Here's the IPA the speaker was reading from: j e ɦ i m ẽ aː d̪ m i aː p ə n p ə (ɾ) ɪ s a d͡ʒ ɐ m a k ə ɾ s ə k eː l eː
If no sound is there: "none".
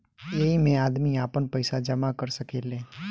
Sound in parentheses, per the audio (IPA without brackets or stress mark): none